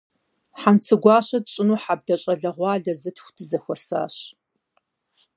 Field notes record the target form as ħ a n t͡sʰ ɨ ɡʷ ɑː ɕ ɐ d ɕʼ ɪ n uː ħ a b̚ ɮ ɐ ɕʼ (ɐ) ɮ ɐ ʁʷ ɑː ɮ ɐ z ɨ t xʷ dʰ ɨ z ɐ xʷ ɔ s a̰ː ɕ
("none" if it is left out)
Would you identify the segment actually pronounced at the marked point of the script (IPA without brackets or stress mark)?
ɐ